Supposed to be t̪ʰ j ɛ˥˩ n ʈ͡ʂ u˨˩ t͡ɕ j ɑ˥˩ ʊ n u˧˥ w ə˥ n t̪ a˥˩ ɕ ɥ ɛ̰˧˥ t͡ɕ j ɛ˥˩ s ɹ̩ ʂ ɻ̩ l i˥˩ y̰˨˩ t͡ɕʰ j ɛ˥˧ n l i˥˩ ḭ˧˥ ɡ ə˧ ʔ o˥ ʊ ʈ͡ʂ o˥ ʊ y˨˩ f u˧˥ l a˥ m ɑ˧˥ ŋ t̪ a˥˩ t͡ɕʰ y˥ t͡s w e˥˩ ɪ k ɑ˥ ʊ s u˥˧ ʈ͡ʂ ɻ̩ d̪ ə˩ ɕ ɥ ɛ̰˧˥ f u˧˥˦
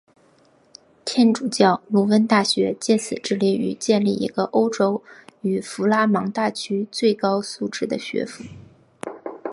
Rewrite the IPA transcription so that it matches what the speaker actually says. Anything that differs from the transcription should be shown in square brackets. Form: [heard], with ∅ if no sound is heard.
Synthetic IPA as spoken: t̪ʰ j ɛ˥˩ n ʈ͡ʂ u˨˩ t͡ɕ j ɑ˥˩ ʊ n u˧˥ w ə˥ n t̪ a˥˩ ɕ ɥ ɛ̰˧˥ t͡ɕ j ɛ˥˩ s ɹ̩ [ʈ͡ʂ] ɻ̩ l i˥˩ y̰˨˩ [t͡ɕ] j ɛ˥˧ n l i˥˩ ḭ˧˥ ɡ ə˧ ʔ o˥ ʊ ʈ͡ʂ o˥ ʊ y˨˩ f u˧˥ l a˥ m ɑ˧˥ ŋ t̪ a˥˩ t͡ɕʰ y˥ t͡s w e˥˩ ɪ k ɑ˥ ʊ s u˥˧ ʈ͡ʂ ɻ̩ d̪ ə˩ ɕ ɥ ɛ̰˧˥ f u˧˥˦